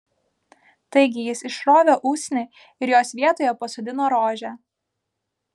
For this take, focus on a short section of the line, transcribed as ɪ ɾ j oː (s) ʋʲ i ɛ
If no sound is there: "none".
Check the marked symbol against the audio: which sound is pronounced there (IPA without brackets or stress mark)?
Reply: s